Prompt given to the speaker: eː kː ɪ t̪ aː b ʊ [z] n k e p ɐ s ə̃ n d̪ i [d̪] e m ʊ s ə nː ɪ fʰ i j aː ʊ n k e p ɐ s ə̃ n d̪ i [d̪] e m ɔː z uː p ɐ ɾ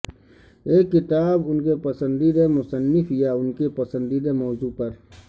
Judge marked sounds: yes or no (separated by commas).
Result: no, yes, yes